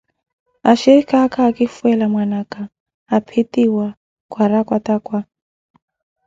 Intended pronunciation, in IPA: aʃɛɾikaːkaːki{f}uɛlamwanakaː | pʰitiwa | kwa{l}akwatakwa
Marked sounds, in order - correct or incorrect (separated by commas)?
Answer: correct, incorrect